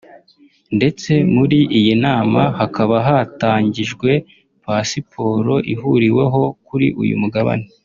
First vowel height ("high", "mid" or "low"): mid